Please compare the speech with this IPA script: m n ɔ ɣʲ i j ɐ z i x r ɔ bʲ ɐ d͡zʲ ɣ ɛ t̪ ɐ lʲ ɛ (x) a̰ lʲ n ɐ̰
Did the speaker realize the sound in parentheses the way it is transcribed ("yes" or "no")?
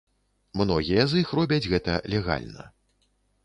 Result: no